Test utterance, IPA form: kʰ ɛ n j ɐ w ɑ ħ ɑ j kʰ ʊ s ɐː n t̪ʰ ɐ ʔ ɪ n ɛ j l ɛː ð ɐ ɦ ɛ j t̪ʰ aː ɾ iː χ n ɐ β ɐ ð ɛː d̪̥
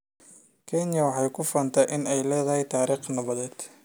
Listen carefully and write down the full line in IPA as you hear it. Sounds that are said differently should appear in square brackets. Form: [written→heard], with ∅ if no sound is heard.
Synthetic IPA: kʰ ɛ n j ɐ w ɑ ħ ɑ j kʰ ʊ [s→f] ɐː n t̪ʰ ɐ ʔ ɪ n ɛ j l ɛː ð ɐ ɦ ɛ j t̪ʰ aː ɾ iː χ n ɐ β ɐ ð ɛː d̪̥